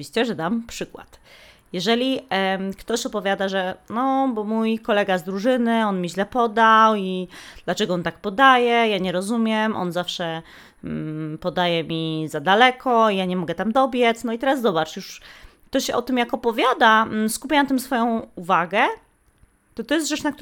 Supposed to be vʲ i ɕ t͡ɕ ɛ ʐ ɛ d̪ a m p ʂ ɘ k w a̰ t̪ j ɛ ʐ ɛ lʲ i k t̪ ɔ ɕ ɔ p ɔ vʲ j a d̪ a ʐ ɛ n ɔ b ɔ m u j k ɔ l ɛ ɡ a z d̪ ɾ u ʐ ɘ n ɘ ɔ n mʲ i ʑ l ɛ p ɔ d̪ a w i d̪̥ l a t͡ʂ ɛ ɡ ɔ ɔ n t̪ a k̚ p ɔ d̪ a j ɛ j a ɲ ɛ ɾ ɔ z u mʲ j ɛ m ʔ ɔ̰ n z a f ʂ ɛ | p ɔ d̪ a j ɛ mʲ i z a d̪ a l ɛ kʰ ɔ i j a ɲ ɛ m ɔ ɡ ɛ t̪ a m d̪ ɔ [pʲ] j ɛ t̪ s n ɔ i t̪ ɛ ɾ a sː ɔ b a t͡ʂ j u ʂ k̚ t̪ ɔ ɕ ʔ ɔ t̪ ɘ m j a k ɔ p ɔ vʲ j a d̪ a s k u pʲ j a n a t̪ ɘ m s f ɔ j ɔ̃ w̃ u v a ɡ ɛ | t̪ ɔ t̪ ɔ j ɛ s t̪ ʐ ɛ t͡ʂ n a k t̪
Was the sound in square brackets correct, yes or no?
no